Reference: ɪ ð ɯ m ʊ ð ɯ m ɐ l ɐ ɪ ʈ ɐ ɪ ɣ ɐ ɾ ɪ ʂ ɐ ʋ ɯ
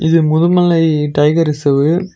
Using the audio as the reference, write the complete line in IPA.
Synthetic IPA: ɪ ð ɯ m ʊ ð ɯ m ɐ l ɐ ɪ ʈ ɐ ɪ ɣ ɐ ɾ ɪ s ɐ ʋ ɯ